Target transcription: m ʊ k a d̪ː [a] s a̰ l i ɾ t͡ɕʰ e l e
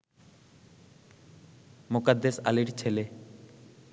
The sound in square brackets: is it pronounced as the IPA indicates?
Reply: no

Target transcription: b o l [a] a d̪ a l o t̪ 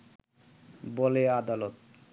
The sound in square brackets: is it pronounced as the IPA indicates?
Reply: no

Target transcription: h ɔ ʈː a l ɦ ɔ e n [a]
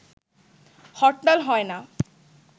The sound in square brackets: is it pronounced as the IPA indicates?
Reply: yes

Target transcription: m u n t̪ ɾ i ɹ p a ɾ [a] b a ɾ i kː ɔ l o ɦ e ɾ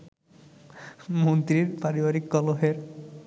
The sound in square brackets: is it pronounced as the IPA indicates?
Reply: no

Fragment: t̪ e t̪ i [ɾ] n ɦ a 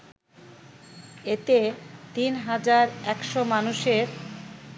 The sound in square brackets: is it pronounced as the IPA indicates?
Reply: no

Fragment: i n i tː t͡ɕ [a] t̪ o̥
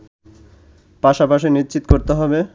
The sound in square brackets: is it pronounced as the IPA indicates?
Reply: no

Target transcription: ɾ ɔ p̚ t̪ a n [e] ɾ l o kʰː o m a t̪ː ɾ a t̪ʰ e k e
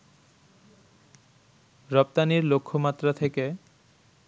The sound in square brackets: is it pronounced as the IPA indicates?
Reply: no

